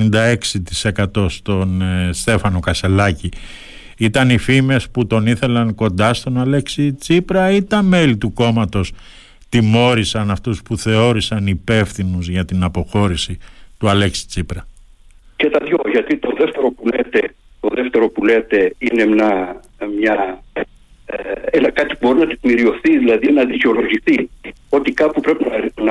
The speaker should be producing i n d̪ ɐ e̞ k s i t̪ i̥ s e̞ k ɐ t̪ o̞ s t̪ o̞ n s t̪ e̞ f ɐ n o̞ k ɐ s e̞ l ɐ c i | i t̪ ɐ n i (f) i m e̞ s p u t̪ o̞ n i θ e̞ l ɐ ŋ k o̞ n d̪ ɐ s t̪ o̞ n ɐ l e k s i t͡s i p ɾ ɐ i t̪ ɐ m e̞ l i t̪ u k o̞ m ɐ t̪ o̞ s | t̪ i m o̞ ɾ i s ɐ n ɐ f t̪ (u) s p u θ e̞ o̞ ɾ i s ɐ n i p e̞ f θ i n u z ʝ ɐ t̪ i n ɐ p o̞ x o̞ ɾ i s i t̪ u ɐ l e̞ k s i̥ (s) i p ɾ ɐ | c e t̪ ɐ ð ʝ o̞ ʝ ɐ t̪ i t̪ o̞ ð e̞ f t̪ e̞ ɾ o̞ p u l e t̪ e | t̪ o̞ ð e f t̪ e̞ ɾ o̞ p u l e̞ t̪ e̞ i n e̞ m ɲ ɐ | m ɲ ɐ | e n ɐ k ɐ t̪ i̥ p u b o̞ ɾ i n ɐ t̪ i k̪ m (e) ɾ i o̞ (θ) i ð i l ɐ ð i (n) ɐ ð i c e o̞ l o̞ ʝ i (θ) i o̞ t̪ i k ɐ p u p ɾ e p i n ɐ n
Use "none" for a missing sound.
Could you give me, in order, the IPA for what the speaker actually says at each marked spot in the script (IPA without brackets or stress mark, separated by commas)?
f, u, t͡s, i, θ, n, θ